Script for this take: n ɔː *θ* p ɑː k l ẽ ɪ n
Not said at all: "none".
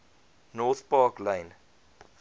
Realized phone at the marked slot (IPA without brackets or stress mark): θ